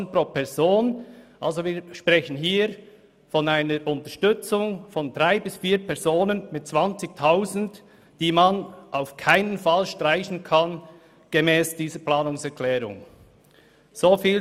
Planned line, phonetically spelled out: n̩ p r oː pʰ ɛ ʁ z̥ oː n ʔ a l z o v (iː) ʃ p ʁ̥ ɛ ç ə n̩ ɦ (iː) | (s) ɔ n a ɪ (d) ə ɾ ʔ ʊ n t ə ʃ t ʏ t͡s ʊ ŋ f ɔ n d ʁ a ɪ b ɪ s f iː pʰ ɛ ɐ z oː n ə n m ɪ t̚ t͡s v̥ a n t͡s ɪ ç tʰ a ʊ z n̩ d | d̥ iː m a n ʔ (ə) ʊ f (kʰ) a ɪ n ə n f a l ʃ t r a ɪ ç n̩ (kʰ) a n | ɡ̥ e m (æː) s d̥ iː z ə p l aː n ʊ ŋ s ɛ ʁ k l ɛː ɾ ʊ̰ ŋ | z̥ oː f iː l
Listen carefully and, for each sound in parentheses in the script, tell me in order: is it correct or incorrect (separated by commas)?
correct, correct, incorrect, incorrect, incorrect, correct, correct, incorrect